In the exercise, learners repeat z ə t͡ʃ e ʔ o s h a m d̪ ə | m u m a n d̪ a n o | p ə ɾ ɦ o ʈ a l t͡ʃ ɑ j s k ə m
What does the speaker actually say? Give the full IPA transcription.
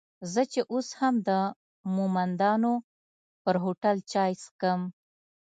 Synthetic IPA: z ə t͡ʃ e ʔ o s h a m d̪ ə | m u m a n d̪ ɑ n o | p ə ɾ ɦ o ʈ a l t͡ʃ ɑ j s k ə m